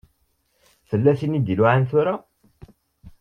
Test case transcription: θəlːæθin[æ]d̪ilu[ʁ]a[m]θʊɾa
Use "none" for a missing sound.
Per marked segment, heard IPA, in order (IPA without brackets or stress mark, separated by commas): i, ʕ, n